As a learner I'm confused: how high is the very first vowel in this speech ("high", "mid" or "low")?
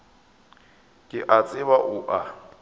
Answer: high